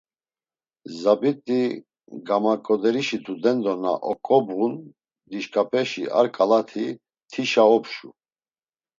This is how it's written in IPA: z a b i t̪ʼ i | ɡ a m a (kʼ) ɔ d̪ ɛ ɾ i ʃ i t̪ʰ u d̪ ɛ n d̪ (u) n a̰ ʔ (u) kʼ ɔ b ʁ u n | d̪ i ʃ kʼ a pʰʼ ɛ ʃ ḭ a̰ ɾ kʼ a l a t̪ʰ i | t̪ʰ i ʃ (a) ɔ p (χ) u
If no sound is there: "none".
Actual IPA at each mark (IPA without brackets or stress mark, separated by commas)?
kʼ, ɔ, ɔ, a, ʃ